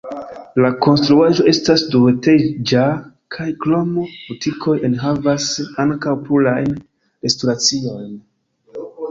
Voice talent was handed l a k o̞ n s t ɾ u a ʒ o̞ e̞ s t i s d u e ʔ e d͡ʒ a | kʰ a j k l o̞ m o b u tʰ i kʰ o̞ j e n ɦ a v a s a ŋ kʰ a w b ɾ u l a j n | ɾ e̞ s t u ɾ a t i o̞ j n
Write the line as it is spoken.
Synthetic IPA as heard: l a k o̞ n s t ɾ u a ʒ o̞ e̞ s t a s d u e t e d͡ʒ a | kʰ a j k l o̞ m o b u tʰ i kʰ o̞ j e n ɦ a v a s a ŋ k a w p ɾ u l a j n | ɾ e̞ s t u ɾ a t͡s i o̞ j n